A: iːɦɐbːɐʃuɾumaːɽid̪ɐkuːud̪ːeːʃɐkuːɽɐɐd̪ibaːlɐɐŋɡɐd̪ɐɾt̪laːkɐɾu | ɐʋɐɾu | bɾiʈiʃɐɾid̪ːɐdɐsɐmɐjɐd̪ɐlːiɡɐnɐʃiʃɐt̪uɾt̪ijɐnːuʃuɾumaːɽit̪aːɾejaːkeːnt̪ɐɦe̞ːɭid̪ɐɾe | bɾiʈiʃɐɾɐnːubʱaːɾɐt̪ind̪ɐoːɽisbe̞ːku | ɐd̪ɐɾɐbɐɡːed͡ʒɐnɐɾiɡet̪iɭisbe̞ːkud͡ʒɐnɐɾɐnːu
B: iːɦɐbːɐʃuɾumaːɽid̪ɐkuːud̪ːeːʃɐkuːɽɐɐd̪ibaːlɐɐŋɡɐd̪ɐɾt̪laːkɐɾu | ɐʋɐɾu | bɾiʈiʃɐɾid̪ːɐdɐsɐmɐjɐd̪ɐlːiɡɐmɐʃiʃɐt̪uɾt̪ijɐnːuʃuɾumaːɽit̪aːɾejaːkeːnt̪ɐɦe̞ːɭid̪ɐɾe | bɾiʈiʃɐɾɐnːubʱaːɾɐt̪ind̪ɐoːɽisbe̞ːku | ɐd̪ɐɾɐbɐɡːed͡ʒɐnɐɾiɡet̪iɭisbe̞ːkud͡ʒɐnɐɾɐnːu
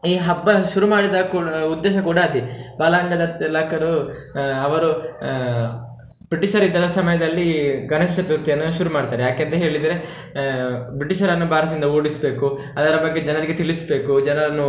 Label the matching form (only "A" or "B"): A